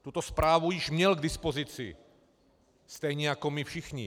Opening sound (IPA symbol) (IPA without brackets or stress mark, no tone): t̪